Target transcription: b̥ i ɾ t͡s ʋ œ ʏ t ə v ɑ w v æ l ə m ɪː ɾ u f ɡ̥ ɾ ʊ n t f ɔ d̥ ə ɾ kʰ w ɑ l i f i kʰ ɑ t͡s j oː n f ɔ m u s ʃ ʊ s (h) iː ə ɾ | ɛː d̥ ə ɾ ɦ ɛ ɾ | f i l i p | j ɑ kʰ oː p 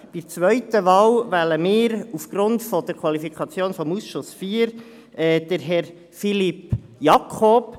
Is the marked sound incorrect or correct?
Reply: incorrect